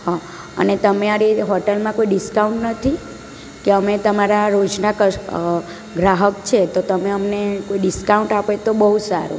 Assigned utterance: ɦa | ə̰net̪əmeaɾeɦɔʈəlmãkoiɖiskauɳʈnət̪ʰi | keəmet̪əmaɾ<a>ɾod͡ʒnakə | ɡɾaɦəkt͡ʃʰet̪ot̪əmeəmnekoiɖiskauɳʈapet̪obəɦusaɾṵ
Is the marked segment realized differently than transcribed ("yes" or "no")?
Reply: no